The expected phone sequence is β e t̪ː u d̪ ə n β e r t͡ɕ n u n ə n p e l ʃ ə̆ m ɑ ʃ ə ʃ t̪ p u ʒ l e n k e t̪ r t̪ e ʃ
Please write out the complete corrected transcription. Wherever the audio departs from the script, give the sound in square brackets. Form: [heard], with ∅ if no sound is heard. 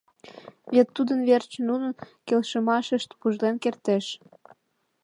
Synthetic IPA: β e t̪ː u d̪ ə n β e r t͡ɕ n u n ə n [k] e l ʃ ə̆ m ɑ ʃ ə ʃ t̪ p u ʒ l e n k e [∅] r t̪ e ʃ